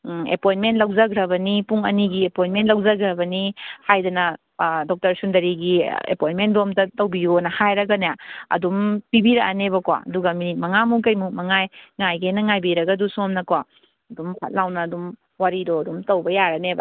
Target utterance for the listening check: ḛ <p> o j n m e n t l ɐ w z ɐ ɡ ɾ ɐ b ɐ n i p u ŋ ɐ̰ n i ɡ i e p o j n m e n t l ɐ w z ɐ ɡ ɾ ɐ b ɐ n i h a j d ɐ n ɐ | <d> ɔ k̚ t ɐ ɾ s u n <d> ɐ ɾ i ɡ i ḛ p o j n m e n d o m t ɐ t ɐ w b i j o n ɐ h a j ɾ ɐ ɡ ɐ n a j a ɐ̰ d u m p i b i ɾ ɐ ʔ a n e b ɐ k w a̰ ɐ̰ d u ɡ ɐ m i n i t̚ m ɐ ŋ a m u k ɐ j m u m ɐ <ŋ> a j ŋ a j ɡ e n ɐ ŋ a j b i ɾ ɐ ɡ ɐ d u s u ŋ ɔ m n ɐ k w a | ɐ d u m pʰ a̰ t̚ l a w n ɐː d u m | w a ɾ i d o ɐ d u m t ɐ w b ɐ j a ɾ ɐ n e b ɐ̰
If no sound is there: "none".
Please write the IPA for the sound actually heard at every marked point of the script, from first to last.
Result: p, d, d, ŋ

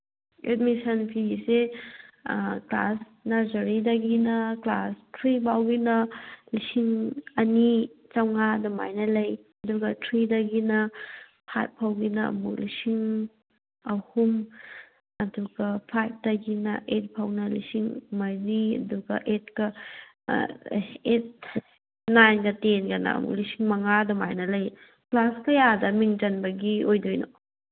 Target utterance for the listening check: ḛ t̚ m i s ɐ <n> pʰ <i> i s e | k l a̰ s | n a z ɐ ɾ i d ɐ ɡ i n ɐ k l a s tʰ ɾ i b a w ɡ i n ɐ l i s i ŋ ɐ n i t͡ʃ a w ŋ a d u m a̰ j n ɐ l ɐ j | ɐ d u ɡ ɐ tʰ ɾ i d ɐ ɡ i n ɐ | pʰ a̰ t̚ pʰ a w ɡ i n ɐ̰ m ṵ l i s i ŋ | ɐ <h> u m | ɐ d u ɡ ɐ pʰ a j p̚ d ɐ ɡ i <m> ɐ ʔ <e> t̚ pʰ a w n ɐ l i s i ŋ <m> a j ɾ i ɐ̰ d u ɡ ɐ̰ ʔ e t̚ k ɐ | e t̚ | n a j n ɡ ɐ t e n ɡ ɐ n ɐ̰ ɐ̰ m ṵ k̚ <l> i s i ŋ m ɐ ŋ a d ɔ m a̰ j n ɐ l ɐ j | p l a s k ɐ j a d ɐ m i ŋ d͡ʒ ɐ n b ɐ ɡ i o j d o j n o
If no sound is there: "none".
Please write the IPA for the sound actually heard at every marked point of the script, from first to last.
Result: n, i, h, n, e, m, l

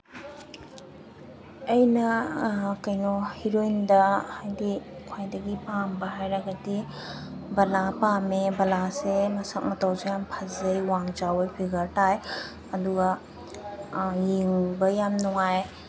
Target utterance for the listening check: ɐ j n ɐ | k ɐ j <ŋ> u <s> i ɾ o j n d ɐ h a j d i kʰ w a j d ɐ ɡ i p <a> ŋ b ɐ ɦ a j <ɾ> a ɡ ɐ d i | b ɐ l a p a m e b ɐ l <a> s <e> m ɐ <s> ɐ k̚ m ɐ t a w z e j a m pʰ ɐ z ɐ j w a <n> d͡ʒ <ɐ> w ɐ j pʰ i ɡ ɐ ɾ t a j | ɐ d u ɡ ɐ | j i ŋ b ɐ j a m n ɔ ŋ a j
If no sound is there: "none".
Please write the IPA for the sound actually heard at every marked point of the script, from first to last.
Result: n, h, a, ɾ, a, e, s, ŋ, a

